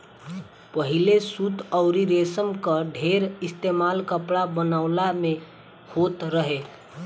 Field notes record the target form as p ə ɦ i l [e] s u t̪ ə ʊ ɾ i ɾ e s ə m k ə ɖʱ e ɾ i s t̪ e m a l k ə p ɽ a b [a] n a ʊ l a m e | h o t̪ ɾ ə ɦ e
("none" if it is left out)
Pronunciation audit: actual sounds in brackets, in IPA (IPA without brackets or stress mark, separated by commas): e, ə